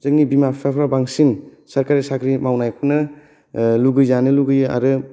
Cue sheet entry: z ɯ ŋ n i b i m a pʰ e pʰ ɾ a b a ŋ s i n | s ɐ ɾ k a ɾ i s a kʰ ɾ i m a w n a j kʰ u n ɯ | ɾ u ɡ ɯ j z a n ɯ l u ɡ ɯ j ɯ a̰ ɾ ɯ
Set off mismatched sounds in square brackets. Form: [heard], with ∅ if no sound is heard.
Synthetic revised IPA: z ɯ ŋ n i b i m a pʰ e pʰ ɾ a b a ŋ s i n | s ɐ ɾ k a ɾ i s a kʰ ɾ i m a w n a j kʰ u n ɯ | [l] u ɡ ɯ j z a n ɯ l u ɡ ɯ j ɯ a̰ ɾ ɯ